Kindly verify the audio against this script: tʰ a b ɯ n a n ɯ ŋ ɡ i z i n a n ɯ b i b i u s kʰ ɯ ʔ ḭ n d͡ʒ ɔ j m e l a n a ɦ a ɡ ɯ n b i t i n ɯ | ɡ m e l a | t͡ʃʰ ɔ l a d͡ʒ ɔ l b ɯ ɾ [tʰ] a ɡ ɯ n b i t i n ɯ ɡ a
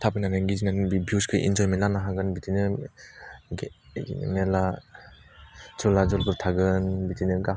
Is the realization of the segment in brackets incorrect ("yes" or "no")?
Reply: no